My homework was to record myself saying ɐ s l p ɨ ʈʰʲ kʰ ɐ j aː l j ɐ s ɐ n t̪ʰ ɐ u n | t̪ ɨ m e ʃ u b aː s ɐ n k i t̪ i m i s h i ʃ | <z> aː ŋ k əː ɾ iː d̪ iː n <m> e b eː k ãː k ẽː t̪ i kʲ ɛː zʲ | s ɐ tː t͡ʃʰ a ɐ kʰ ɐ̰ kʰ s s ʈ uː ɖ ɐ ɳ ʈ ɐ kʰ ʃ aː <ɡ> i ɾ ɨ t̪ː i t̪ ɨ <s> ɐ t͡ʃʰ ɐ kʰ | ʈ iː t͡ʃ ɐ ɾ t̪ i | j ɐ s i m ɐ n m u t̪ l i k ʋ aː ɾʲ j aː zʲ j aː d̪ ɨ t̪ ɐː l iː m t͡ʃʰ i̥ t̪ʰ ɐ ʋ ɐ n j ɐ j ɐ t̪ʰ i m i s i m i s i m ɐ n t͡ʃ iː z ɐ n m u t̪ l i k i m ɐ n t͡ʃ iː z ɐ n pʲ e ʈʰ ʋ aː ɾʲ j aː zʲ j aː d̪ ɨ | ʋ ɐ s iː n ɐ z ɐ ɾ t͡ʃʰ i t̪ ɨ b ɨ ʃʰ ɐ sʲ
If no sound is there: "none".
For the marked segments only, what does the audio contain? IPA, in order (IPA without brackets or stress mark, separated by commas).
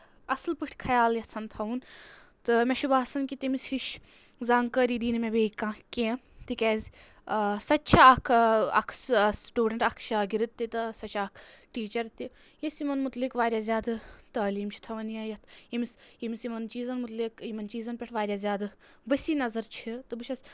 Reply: z, m, ɡ, s